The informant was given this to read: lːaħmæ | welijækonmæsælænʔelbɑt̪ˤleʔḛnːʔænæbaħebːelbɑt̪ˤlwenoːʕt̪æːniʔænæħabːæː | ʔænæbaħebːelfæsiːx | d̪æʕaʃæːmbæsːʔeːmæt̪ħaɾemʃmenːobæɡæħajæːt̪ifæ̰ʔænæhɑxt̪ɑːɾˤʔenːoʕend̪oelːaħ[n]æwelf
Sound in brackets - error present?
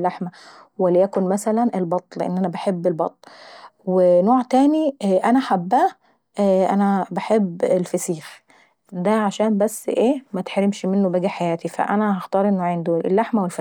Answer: yes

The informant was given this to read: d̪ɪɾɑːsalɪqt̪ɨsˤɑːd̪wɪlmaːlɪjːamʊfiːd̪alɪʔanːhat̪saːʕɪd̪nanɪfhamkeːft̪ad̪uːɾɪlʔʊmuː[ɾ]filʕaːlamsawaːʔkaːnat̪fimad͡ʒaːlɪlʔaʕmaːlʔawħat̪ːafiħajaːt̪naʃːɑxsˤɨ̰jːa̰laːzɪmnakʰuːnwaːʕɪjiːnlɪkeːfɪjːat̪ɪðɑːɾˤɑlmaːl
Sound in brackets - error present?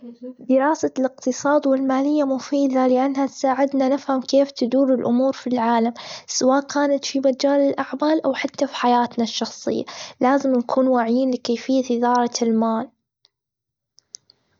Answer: no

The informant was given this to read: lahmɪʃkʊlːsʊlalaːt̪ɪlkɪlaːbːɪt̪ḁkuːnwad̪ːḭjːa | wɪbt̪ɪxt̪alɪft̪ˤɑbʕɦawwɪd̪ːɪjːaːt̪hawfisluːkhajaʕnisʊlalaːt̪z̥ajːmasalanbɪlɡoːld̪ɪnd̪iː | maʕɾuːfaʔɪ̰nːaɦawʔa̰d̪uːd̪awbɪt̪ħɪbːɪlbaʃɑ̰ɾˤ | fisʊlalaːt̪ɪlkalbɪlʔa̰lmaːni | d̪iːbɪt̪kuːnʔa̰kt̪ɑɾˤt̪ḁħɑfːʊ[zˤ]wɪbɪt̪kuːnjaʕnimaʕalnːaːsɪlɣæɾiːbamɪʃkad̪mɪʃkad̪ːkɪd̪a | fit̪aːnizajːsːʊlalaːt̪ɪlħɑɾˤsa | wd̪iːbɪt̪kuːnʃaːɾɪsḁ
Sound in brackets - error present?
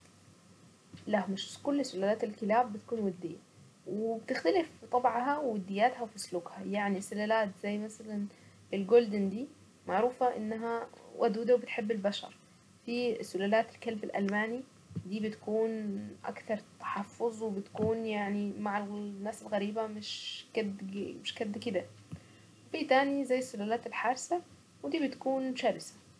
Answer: no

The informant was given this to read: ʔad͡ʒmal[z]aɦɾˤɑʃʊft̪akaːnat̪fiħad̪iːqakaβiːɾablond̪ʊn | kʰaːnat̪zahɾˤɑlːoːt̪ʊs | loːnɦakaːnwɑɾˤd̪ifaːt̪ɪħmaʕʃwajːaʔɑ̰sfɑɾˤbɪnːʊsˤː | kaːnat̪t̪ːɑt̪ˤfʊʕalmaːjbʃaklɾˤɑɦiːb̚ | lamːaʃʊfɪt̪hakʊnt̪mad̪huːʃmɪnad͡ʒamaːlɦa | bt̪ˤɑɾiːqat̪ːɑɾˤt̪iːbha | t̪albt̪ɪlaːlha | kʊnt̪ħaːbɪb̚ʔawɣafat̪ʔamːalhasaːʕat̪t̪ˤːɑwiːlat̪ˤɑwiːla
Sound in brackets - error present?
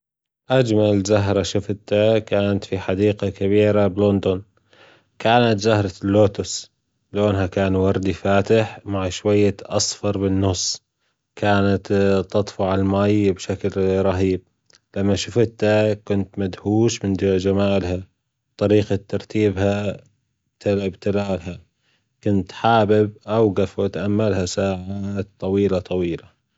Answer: no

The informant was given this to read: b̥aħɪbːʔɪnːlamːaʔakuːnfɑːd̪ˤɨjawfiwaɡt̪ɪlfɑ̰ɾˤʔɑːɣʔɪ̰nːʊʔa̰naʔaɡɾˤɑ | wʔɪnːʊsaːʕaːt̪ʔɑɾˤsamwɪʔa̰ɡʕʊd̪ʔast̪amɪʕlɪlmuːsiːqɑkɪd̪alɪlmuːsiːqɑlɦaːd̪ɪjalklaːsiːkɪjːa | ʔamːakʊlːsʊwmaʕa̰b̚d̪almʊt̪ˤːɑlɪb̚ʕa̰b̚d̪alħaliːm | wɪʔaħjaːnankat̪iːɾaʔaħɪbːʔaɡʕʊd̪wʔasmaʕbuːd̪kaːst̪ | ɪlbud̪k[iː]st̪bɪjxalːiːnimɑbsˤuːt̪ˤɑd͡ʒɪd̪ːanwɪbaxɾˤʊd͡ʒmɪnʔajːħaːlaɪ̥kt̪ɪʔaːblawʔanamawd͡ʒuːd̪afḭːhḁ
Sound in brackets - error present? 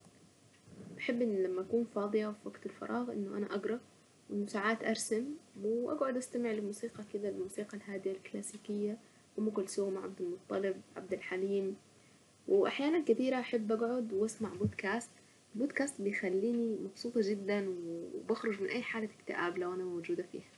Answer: yes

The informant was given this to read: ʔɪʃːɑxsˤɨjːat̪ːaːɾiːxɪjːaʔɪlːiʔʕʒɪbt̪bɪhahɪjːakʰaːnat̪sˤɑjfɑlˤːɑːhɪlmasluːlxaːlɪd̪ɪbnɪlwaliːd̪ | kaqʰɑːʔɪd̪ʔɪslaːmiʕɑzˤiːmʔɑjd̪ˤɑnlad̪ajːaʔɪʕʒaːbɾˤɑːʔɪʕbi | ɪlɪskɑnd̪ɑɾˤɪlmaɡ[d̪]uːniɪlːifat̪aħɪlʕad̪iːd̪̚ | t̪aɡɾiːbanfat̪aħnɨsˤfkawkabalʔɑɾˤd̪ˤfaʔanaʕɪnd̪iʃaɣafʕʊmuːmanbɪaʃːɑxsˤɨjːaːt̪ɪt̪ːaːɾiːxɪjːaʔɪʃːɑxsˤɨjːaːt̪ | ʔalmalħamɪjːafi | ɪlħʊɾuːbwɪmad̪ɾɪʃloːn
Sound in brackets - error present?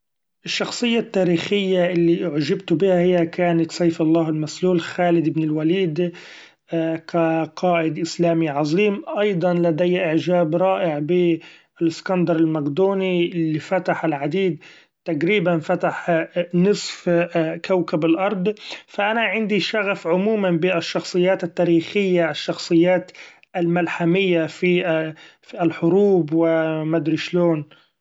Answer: no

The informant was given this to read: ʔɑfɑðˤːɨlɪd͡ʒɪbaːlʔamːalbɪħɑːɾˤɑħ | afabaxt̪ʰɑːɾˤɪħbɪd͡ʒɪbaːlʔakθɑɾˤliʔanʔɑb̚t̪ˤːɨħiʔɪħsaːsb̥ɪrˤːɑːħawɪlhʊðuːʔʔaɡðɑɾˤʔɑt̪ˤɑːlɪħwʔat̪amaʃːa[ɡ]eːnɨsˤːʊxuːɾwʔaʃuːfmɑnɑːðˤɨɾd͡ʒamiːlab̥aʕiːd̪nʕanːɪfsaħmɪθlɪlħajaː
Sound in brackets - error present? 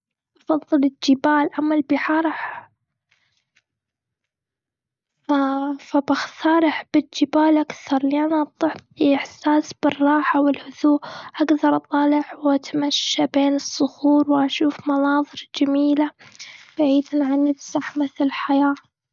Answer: yes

